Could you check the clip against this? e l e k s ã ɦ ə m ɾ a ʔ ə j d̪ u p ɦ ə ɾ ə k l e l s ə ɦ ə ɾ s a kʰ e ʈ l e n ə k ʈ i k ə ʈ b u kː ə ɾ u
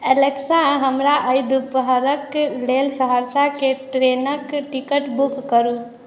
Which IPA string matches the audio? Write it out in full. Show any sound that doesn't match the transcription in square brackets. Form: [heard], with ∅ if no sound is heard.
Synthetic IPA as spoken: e l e k s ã ɦ ə m ɾ a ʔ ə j d̪ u p ɦ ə ɾ ə k l e l s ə ɦ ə ɾ s a [k] e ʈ [ɾ] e n ə k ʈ i k ə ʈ b u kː ə ɾ u